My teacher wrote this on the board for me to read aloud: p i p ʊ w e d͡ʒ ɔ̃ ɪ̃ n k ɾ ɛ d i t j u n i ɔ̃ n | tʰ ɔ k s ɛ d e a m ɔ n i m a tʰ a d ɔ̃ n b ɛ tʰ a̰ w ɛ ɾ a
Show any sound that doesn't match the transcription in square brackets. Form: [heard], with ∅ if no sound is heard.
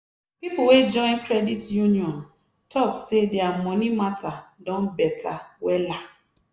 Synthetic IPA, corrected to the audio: p i p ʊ w e d͡ʒ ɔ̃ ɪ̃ n k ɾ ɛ d i t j u n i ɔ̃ n | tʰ ɔ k s [e] d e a m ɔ n i m a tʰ a d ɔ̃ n b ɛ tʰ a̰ w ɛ [l] a